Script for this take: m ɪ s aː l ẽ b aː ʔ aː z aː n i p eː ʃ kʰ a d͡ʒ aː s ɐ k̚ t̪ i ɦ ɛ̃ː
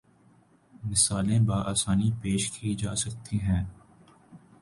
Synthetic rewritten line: m ɪ s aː l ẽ b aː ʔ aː s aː n i p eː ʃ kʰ i d͡ʒ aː s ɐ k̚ t̪ i ɦ ɛ̃ː